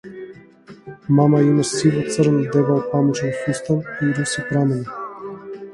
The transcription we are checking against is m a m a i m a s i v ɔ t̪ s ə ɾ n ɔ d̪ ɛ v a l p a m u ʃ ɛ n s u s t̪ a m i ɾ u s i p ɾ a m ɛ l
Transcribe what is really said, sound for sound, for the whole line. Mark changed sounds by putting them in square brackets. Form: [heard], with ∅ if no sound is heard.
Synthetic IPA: m a m a i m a s i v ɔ t̪ s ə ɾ n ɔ d̪ ɛ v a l p a m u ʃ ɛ n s u s t̪ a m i ɾ u s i p ɾ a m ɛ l